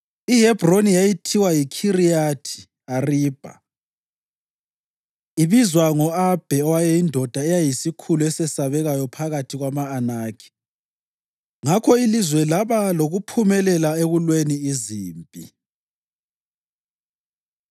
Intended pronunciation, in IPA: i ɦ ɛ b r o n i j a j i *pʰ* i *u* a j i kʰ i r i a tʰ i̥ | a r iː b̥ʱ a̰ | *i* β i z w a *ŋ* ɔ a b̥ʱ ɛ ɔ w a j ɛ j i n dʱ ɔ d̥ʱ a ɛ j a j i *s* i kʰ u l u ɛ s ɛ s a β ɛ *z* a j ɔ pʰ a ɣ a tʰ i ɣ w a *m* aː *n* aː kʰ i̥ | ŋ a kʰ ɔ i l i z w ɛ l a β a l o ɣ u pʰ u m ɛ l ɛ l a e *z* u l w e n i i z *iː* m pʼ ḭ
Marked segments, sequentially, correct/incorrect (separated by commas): incorrect, incorrect, correct, correct, correct, incorrect, correct, correct, incorrect, correct